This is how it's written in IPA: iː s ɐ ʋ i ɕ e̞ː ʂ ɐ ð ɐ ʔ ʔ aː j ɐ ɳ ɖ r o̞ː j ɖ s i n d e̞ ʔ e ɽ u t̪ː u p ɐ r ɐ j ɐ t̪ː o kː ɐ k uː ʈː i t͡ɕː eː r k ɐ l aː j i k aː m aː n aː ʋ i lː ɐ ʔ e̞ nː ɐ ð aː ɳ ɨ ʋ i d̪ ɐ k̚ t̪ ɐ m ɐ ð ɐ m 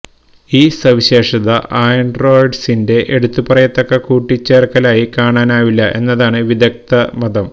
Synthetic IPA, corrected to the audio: iː s ɐ ʋ i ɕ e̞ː ʂ ɐ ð ɐ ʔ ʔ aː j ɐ ɳ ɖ r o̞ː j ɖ s i n d e̞ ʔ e ɽ u t̪ː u p ɐ r ɐ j ɐ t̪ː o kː ɐ k uː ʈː i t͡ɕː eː r k ɐ l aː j i k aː ɳ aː n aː ʋ i lː ɐ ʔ e̞ nː ɐ ð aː ɳ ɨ ʋ i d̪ ɐ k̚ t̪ ɐ m ɐ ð ɐ m

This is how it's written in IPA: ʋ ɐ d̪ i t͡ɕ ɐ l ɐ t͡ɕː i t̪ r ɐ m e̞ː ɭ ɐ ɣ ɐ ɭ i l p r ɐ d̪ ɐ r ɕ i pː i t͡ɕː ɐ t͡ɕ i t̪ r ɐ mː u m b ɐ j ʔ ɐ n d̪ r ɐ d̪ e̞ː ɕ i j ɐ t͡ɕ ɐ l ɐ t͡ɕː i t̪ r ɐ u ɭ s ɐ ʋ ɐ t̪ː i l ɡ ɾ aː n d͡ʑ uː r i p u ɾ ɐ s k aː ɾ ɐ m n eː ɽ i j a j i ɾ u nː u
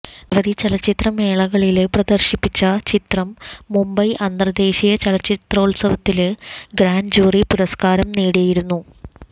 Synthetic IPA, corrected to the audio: ʋ ɐ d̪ i t͡ɕ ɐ l ɐ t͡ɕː i t̪ r ɐ m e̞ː ɭ ɐ ɣ ɐ ɭ i l p r ɐ d̪ ɐ r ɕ i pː i t͡ɕː ɐ t͡ɕ i t̪ r ɐ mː u m b ɐ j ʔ ɐ n d̪ r ɐ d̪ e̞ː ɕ i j ɐ t͡ɕ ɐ l ɐ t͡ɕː i t̪ r ɐ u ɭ s ɐ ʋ ɐ t̪ː i l ɡ ɾ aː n d͡ʑ uː r i p u ɾ ɐ s k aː ɾ ɐ m n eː ɽ i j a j i ɾ u nː u

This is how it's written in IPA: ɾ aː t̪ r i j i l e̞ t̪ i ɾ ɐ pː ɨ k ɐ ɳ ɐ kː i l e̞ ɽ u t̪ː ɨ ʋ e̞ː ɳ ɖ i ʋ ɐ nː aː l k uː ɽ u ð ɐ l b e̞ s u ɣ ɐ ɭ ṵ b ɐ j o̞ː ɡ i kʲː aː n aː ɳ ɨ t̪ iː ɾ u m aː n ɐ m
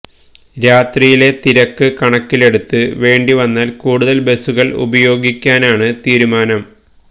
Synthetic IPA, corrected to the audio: ɾ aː t̪ r i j i l e̞ t̪ i ɾ ɐ kː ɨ k ɐ ɳ ɐ kː i l e̞ ɽ u t̪ː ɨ ʋ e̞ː ɳ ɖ i ʋ ɐ nː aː l k uː ɽ u ð ɐ l b e̞ s u ɣ ɐ ɭ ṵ b ɐ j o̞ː ɡ i kʲː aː n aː ɳ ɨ t̪ iː ɾ u m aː n ɐ m

